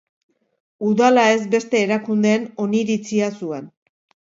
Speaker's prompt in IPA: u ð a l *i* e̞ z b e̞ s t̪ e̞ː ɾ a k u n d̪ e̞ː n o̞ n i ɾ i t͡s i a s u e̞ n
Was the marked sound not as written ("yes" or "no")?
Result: yes